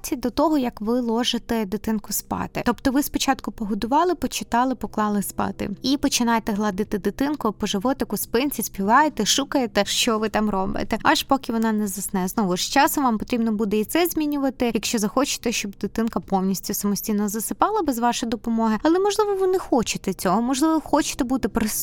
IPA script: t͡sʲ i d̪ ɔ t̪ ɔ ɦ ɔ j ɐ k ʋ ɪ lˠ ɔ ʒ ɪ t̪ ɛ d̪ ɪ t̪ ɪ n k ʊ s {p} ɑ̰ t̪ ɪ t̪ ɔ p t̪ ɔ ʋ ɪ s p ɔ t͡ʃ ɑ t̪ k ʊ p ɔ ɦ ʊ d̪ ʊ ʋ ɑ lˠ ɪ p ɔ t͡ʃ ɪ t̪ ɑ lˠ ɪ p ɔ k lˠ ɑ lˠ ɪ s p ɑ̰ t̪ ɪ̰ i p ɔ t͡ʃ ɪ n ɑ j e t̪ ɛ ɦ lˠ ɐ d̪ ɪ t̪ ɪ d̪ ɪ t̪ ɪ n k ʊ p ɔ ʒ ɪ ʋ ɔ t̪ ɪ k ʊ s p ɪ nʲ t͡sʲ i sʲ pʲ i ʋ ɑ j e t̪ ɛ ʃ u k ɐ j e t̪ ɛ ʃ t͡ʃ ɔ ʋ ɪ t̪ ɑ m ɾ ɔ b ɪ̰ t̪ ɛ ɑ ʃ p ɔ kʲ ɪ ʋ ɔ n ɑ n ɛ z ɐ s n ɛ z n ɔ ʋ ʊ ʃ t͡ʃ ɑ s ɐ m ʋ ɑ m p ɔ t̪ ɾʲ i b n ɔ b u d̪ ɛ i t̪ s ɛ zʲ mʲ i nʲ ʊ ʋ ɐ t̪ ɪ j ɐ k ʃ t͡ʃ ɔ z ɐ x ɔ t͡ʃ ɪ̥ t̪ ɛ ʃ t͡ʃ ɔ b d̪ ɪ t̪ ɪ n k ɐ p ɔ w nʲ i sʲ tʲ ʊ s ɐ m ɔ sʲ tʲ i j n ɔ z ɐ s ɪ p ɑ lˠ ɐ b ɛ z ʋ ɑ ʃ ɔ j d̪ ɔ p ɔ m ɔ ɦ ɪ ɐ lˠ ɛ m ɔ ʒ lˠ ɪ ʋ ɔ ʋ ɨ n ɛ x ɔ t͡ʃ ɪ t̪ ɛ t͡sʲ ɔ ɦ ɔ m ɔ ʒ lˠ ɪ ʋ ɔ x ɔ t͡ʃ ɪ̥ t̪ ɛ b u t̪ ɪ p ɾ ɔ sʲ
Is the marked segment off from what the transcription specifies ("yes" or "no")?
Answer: no